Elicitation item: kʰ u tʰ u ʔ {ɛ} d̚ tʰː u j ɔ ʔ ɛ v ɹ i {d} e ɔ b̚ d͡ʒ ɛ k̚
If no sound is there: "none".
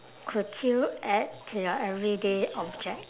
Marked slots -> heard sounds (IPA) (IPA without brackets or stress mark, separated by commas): ɛ, d